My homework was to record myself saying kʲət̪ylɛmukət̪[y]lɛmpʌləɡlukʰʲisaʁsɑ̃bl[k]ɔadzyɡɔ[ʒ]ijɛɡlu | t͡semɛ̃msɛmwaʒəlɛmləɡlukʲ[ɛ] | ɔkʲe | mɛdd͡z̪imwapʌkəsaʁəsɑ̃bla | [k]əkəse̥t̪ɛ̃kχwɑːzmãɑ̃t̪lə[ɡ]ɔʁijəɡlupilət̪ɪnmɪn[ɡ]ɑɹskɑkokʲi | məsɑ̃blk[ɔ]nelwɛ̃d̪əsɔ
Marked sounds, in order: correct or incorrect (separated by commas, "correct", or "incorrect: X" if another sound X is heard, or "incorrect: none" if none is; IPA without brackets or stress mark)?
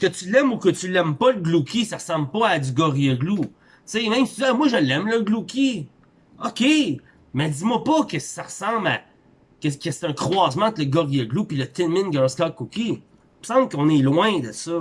correct, incorrect: p, incorrect: ʁ, incorrect: i, correct, correct, correct, incorrect: ɔ̃